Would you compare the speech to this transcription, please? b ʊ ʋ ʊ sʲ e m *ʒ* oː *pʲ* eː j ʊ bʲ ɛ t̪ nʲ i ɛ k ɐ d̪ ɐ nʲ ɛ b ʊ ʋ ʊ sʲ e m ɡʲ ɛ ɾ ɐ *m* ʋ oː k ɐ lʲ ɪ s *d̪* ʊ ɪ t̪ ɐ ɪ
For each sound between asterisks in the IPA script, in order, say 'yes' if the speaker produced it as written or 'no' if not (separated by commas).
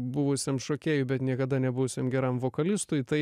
no, no, yes, no